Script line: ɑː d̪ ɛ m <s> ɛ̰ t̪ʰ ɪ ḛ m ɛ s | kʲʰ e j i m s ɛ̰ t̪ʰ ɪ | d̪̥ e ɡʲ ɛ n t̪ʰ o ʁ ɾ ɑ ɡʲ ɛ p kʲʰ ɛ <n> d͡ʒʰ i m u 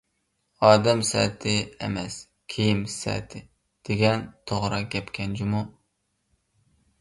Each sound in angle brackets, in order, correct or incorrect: correct, correct

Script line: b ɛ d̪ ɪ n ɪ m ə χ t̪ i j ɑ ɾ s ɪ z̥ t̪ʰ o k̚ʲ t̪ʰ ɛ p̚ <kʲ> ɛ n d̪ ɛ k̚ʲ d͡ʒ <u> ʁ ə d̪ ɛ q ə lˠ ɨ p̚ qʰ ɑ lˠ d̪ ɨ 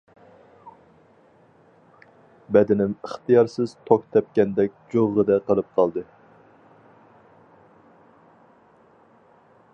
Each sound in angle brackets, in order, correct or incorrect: correct, incorrect: o

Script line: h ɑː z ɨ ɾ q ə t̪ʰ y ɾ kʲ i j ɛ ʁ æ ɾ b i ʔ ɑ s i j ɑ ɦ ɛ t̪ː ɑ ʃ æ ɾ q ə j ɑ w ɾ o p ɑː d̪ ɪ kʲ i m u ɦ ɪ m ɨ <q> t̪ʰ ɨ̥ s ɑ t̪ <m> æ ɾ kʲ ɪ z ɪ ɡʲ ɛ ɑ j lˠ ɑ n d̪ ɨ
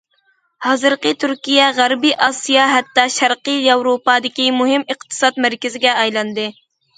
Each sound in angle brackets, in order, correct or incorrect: correct, correct

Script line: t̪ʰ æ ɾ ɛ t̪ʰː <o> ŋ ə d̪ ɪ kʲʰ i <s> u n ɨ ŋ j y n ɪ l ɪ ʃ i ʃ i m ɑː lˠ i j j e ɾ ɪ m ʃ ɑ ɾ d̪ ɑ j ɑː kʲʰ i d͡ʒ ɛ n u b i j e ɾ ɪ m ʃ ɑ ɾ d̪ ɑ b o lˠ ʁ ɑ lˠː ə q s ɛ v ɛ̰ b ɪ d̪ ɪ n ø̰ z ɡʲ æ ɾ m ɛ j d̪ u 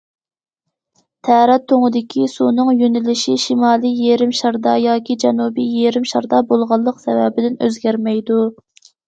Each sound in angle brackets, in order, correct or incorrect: correct, correct

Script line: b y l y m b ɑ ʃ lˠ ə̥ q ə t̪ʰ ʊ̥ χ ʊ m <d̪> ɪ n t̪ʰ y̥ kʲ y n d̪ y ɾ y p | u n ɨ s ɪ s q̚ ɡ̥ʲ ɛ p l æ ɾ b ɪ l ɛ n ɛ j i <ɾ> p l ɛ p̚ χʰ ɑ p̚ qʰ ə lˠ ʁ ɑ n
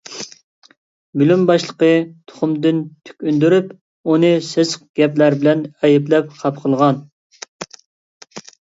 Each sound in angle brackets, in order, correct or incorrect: correct, incorrect: none

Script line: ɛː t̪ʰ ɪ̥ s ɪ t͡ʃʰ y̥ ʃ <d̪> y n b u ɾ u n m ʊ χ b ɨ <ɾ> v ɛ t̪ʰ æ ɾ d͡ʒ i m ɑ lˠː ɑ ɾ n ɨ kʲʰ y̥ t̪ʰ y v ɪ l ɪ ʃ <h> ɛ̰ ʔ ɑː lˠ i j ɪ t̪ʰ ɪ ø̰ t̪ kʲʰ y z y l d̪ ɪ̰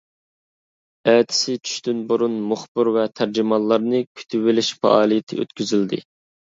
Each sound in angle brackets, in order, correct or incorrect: incorrect: t̪, correct, incorrect: f

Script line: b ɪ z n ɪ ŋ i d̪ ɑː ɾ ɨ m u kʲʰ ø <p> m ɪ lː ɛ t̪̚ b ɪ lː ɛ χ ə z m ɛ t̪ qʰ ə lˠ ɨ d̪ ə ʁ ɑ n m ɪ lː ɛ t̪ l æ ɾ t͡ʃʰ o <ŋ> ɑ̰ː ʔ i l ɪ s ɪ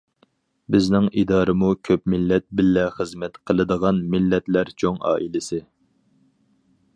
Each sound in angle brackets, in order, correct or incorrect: correct, correct

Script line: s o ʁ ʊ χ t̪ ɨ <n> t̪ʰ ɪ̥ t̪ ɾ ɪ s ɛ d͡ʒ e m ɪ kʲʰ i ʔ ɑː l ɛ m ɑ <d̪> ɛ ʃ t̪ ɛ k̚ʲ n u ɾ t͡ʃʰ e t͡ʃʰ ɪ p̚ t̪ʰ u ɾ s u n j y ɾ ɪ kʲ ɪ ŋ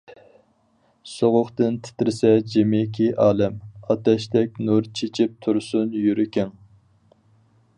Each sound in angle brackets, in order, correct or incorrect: correct, incorrect: t̪

